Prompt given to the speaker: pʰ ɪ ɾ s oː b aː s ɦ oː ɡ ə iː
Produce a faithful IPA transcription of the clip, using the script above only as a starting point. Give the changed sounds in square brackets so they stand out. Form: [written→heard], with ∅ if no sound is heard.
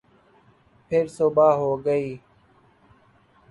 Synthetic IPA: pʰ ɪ ɾ s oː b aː [s→∅] ɦ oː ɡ ə iː